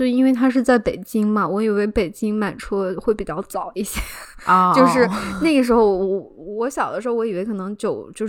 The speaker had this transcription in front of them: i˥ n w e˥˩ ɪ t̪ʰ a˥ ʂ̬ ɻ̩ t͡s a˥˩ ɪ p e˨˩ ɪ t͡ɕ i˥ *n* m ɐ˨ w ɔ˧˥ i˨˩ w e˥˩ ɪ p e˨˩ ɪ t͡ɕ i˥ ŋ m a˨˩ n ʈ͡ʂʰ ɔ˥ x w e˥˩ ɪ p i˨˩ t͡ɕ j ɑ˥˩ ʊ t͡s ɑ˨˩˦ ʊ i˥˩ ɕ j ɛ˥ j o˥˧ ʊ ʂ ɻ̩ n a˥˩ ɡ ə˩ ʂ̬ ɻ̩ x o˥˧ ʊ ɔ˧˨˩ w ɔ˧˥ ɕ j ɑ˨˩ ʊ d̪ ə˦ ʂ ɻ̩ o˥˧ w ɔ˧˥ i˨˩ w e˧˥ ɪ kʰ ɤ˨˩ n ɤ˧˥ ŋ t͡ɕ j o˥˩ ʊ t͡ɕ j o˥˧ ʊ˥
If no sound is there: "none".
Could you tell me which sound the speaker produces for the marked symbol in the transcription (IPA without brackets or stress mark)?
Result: ŋ